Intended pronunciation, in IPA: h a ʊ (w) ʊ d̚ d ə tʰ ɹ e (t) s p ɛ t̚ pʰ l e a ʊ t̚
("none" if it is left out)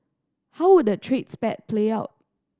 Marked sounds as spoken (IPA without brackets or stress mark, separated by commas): w, t